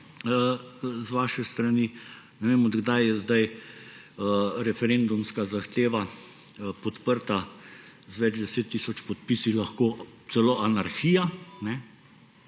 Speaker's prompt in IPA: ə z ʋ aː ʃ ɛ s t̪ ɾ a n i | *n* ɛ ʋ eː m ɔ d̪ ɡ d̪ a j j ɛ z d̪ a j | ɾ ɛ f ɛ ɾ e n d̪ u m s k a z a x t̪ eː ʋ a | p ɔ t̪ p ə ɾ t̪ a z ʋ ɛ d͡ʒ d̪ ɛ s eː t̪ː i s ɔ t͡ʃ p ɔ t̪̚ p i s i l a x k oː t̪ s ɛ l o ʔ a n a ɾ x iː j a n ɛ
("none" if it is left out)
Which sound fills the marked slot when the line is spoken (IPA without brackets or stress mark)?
n